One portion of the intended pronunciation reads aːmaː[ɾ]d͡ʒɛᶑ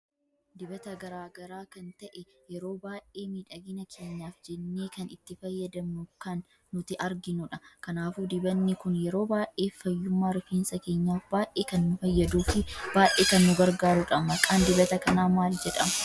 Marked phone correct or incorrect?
incorrect